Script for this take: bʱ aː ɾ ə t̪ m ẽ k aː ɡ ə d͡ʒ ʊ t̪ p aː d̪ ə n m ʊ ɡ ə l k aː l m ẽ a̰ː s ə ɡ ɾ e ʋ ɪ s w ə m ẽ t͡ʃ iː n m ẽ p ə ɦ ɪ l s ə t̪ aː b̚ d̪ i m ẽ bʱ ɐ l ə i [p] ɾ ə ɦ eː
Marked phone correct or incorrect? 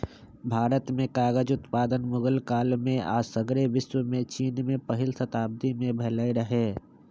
incorrect